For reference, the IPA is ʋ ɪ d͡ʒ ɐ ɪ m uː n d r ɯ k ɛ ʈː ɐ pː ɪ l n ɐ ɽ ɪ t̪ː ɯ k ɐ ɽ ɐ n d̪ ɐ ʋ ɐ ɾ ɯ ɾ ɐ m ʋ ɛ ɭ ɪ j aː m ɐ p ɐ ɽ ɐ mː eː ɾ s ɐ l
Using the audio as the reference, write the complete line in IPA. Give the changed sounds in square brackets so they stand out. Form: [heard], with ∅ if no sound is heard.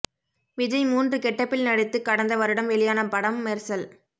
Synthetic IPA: ʋ ɪ d͡ʒ ɐ ɪ m uː n d r ɯ k ɛ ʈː ɐ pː ɪ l n ɐ ɽ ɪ t̪ː ɯ k ɐ ɽ ɐ n d̪ ɐ ʋ ɐ ɾ ɯ [ɽ] ɐ m ʋ ɛ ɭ ɪ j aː [n] ɐ p ɐ ɽ ɐ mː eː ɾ s ɐ l